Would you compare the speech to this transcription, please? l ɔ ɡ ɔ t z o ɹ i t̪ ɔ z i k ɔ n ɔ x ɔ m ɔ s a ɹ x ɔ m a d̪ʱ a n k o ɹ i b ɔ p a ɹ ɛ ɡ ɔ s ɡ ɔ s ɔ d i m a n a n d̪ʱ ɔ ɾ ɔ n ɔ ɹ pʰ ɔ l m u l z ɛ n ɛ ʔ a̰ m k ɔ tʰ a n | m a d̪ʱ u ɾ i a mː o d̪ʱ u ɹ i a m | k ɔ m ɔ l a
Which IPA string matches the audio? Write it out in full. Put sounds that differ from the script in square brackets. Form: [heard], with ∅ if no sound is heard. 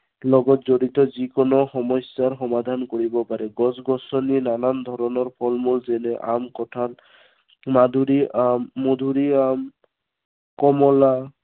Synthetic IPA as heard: l ɔ ɡ ɔ t z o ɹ i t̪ ɔ z i k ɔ n ɔ x ɔ m ɔ s a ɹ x ɔ m a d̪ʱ a n k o ɹ i b ɔ p a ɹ ɛ ɡ ɔ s ɡ ɔ s ɔ [n] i [n] a n a n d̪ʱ ɔ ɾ ɔ n ɔ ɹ pʰ ɔ l m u l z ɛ n ɛ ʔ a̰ m k ɔ tʰ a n | m a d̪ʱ u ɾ i a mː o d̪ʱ u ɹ i a m | k ɔ m ɔ l a